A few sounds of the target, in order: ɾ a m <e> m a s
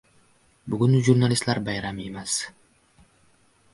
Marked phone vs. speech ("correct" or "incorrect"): correct